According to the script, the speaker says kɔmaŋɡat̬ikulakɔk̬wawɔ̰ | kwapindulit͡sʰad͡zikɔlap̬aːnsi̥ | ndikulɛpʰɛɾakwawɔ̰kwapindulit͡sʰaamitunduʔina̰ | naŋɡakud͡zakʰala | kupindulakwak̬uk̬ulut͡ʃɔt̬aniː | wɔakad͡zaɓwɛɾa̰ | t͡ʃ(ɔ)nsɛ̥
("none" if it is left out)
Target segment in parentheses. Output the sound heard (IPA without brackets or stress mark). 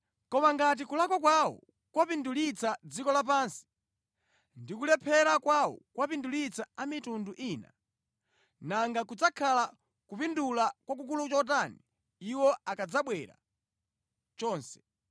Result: ɔː